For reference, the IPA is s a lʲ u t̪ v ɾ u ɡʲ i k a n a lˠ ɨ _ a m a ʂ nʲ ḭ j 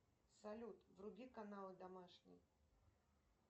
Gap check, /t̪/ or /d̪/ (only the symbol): d̪